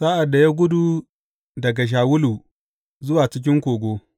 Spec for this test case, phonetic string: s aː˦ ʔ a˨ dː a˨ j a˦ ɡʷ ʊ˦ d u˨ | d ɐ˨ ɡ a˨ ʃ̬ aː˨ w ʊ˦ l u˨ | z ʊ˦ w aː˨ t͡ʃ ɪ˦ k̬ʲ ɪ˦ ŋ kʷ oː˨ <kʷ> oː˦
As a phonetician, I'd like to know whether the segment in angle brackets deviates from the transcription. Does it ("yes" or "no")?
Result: yes